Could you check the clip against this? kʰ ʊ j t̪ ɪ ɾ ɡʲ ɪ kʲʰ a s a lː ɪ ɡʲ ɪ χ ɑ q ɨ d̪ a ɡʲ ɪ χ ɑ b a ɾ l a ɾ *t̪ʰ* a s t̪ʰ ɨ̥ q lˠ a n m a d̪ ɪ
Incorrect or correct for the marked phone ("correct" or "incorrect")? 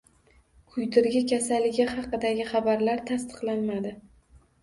correct